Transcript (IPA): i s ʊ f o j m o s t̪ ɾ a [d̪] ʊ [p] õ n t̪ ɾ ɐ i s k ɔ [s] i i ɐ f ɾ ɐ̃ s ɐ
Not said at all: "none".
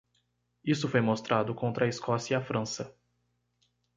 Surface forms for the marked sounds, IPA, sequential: d̪, k, s

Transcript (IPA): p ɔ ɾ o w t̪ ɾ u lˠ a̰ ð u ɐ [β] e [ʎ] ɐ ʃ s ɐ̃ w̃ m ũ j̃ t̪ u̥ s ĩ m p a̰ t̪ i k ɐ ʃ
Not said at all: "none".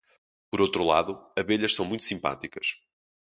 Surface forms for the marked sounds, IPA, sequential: β, ʎ

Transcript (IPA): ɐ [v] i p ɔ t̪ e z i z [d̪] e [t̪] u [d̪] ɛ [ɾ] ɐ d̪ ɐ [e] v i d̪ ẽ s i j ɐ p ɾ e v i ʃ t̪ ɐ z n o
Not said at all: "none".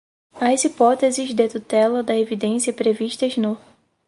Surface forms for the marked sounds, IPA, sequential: z, d̪, t̪, t̪, l, e

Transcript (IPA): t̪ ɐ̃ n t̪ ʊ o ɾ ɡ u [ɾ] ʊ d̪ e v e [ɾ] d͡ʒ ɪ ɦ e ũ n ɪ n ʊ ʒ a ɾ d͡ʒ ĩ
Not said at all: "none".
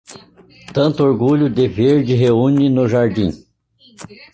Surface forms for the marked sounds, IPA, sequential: ʎ, ɾ

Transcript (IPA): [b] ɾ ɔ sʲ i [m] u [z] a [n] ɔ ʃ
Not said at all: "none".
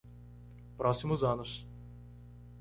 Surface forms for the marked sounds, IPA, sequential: p, m, z, n

